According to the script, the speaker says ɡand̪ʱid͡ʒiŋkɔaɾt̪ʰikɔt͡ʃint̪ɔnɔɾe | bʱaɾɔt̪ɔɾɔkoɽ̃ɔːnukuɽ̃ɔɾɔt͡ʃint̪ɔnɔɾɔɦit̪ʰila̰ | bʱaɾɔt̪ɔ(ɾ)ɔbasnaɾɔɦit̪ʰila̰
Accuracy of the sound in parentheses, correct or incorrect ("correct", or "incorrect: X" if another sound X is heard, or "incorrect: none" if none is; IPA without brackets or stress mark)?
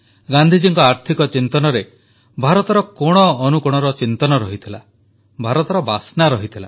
correct